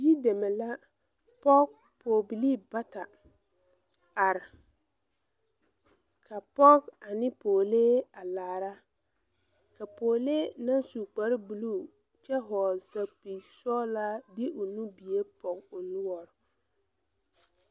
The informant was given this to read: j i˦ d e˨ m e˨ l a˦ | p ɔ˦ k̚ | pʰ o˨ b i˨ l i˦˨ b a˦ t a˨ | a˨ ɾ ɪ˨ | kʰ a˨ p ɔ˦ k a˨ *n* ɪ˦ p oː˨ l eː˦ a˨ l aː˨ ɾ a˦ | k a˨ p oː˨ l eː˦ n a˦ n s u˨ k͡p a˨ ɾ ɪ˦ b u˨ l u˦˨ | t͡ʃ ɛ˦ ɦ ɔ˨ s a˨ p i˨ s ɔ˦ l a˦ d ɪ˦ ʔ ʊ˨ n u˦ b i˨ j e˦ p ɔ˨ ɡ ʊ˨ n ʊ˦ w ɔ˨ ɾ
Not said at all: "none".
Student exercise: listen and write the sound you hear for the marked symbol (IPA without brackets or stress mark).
n